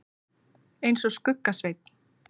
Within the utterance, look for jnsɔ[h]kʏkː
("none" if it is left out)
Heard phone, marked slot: s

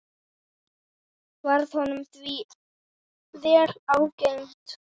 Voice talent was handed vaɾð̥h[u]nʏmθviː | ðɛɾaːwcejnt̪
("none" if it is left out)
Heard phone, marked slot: ɔ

